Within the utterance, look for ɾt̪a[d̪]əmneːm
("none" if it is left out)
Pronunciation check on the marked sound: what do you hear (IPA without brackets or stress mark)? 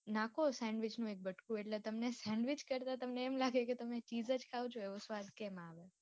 t̪